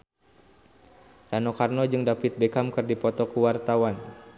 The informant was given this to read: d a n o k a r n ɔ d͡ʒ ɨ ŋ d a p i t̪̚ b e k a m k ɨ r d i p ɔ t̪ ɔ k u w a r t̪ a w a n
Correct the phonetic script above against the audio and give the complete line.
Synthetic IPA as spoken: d a n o k a r n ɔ d͡ʒ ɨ ŋ d a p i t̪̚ b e k a m k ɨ r d i p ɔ t̪ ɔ k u w a r t̪ a w a n